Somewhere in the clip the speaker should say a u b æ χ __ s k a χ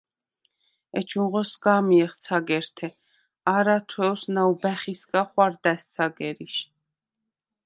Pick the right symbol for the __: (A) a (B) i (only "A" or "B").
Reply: B